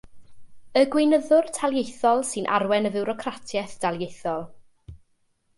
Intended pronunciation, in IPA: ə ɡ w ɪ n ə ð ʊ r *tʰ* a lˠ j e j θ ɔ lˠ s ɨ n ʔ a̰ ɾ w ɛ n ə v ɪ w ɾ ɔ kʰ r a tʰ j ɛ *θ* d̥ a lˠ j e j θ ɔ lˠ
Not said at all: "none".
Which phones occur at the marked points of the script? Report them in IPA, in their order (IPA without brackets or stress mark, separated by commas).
tʰ, θ